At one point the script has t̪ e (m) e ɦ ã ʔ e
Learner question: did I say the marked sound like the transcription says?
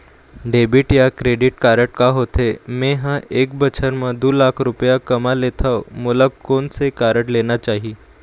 yes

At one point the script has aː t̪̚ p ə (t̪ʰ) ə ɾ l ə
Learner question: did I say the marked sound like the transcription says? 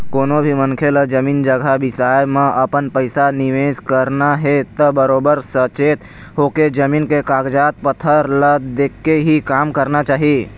yes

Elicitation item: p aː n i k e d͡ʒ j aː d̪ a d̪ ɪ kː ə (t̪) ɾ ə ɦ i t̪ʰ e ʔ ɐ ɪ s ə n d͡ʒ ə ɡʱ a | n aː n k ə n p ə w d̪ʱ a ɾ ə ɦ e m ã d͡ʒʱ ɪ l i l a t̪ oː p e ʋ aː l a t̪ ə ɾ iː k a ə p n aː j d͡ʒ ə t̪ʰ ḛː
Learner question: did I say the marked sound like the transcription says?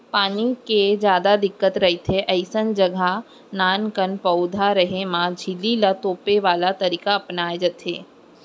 yes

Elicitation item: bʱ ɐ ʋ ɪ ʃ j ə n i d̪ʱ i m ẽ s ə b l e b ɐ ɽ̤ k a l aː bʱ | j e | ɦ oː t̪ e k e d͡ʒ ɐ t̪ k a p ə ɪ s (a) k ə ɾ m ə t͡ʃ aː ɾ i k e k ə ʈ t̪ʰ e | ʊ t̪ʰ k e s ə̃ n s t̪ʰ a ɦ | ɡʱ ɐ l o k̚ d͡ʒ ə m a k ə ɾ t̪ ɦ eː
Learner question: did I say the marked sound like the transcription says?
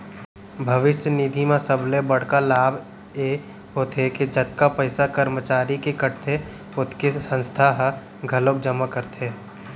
yes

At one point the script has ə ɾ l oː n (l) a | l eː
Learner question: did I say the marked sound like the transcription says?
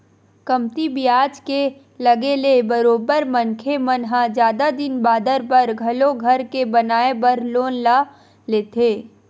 yes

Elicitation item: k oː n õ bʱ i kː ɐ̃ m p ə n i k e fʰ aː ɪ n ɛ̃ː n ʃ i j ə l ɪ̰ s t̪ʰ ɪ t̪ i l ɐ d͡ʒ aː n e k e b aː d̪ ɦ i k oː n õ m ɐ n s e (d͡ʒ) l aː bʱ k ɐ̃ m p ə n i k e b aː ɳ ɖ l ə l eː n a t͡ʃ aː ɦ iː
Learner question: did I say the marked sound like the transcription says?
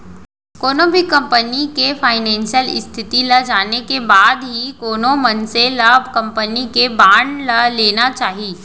no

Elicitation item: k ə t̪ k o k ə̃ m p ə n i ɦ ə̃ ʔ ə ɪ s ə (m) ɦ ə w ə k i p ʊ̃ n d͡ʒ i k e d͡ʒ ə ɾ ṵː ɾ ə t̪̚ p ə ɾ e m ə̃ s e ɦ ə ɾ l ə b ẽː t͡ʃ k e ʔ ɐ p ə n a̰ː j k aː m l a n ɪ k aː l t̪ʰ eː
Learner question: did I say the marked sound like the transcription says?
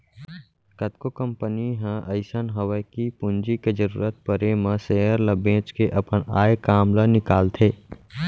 no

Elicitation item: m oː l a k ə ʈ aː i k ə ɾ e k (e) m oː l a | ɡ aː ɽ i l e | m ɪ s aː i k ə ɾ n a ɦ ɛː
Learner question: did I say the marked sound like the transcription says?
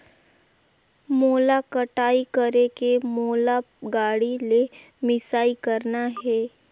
yes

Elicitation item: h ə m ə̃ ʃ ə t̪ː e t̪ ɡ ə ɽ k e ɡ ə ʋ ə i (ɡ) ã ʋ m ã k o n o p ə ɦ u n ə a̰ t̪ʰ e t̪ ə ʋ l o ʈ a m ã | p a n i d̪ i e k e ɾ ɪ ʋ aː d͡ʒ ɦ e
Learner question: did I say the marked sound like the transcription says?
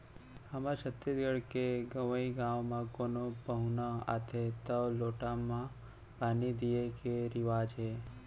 yes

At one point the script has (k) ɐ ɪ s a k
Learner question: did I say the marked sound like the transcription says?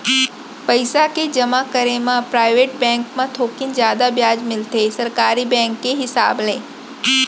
no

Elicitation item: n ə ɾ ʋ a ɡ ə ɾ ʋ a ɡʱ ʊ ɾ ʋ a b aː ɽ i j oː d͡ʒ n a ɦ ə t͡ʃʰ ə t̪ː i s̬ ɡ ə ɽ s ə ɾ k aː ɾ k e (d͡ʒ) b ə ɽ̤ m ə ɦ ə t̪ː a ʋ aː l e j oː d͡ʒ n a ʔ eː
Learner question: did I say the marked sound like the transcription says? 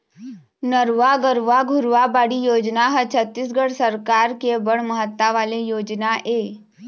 no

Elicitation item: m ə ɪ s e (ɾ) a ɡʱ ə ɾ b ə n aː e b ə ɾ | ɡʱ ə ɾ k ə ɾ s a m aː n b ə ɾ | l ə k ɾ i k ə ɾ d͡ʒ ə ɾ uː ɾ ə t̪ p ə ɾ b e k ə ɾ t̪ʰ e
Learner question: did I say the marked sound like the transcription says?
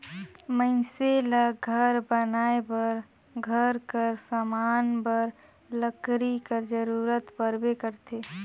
no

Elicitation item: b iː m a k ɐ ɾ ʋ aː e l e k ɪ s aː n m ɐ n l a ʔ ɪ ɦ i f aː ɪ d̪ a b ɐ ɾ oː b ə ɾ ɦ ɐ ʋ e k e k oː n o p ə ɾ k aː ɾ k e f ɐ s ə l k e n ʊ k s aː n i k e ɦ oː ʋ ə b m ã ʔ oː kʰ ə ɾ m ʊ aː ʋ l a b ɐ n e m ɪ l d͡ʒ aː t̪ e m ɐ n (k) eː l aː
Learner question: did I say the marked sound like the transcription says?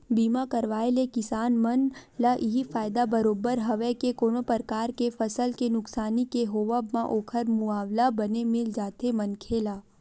no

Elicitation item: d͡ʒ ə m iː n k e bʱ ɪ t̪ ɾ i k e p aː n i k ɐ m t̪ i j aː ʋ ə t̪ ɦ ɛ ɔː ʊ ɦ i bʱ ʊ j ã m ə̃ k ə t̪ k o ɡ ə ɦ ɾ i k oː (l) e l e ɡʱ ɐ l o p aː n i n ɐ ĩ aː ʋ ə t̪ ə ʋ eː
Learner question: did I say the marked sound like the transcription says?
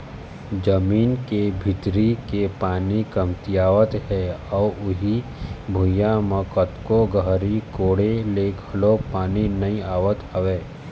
no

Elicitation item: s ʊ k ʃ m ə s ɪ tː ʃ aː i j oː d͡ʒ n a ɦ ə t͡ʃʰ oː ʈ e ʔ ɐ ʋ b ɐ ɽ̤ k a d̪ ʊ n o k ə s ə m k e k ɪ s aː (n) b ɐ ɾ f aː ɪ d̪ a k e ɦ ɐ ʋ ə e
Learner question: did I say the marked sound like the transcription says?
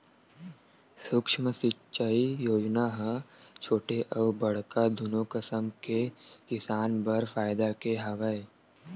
yes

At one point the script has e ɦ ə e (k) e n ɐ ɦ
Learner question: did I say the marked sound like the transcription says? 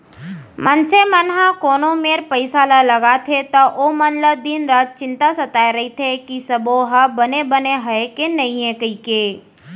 yes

